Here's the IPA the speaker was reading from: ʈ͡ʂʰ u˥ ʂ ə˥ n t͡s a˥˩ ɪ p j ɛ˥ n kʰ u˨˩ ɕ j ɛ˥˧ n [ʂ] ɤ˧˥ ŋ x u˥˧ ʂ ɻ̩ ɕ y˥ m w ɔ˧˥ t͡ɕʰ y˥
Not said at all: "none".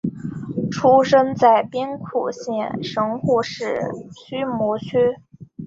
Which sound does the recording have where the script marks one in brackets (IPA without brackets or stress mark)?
ʂ